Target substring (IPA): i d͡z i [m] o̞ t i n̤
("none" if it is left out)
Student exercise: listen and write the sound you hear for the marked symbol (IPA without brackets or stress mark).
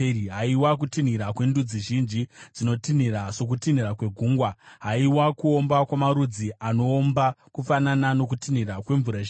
n